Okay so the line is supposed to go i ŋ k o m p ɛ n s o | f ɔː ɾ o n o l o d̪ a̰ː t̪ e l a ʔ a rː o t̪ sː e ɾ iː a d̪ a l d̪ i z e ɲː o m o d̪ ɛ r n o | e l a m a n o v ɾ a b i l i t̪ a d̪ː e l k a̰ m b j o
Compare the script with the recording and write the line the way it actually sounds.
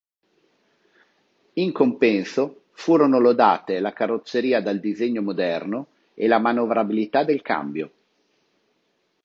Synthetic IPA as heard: i ŋ k o m p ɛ n s o | f uː ɾ o n o l o d̪ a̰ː t̪ e l a k a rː o t̪ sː e ɾ iː a d̪ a l d̪ i z e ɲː o m o d̪ ɛ r n o | e l a m a n o v ɾ a b i l i t̪ a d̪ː e l k a̰ m b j o